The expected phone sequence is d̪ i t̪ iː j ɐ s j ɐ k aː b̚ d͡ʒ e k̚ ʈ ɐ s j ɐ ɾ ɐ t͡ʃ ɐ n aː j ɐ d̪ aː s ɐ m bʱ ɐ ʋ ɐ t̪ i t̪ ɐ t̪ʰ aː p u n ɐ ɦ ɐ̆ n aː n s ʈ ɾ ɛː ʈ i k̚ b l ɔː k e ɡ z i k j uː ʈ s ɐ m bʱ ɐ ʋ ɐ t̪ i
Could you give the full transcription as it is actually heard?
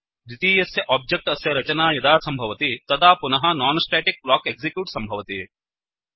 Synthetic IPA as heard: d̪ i t̪ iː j ɐ s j ɐ ʔ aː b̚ d͡ʒ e k̚ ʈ ɐ s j ɐ ɾ ɐ t͡ʃ ɐ n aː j ɐ d̪ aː s ɐ m bʱ ɐ ʋ ɐ t̪ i t̪ ɐ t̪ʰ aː p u n ɐ ɦ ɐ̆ n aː n s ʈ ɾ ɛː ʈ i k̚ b l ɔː k e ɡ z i k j uː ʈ s ɐ m bʱ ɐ ʋ ɐ t̪ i